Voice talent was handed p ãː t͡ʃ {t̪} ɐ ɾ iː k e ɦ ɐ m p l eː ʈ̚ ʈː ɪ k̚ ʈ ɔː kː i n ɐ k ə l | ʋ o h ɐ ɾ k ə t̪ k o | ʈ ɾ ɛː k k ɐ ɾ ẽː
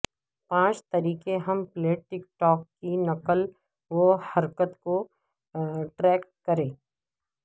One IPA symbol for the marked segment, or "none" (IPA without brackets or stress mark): t̪